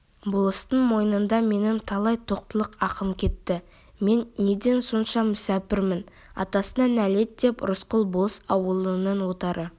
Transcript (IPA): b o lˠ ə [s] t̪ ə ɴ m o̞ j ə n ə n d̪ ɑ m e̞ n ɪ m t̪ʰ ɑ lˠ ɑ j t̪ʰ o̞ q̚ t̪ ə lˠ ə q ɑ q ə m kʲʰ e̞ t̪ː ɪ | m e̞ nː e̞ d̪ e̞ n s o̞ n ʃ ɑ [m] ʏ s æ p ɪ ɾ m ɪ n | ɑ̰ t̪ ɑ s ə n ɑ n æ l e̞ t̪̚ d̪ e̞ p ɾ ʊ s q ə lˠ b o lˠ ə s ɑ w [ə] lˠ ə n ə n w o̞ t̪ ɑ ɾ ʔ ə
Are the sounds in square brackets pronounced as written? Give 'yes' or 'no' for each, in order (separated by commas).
yes, yes, yes